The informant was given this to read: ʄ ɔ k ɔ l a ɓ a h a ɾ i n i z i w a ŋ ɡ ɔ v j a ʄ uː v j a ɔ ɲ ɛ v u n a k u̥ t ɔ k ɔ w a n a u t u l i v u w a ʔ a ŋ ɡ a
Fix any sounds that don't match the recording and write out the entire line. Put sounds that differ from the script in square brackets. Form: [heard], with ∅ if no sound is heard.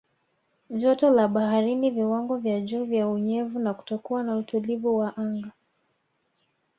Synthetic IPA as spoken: ʄ ɔ [t] ɔ l a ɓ a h a ɾ i n i [v] i w a ŋ ɡ ɔ v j a ʄ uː v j a [u] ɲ ɛ v u n a k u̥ t ɔ k [u] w a n a u t u l i v u w a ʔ a ŋ ɡ a